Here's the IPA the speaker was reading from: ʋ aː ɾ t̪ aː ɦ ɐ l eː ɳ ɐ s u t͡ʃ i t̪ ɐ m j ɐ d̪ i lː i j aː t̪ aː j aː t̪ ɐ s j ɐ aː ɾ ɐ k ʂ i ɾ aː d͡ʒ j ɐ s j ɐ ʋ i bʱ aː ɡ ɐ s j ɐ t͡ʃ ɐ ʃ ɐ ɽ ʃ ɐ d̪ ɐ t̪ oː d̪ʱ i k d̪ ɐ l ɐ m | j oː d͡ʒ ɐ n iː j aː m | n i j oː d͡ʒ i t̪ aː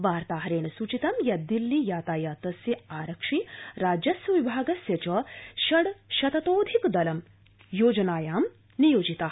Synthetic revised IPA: ʋ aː ɾ t̪ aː ɦ ɐ ɾ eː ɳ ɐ s u t͡ʃ i t̪ ɐ m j ɐ d̪ i lː i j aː t̪ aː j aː t̪ ɐ s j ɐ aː ɾ ɐ k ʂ i ɾ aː d͡ʒ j ɐ s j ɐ ʋ i bʱ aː ɡ ɐ s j ɐ t͡ʃ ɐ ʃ ɐ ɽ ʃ ɐ t̪ ɐ t̪ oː d̪ʱ i k d̪ ɐ l ɐ m | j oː d͡ʒ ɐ n aː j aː m | n i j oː d͡ʒ i t̪ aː